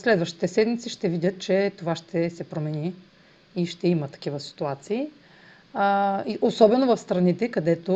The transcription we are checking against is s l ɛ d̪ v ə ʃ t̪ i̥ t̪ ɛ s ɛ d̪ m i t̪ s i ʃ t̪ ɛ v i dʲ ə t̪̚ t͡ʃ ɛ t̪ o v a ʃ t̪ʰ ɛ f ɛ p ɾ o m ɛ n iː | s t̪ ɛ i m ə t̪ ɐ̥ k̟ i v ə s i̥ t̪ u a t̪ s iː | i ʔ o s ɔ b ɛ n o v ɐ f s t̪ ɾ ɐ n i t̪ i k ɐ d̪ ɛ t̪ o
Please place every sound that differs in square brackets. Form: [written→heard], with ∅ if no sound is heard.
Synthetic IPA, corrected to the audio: s l ɛ d̪ v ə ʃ t̪ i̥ t̪ ɛ s ɛ d̪ m i t̪ s i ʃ t̪ ɛ v i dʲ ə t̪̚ t͡ʃ ɛ t̪ o v a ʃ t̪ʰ ɛ [f→s] ɛ p ɾ o m ɛ n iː | [s→ʃ] t̪ ɛ i m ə t̪ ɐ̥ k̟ i v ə s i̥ t̪ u a t̪ s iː | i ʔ o s ɔ b ɛ n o v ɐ f s t̪ ɾ ɐ n i t̪ [i→ɛ] k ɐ d̪ ɛ t̪ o